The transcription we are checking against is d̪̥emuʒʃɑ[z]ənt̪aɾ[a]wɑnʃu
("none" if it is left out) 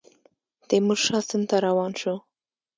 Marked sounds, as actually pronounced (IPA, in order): s, a

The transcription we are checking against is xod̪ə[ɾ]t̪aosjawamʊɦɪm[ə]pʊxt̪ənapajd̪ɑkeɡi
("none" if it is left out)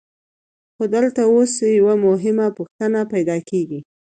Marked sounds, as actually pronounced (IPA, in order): l, a

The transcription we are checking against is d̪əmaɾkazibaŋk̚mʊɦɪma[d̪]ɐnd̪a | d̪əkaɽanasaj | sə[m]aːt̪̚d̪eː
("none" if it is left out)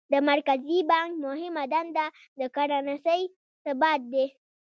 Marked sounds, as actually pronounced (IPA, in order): d̪, b

